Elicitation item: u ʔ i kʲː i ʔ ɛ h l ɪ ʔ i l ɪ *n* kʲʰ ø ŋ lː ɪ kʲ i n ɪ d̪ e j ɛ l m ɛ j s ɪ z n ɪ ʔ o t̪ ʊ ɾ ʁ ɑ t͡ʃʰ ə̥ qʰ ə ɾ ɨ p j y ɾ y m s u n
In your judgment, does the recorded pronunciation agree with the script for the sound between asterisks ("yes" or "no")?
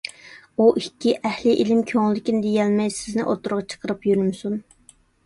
no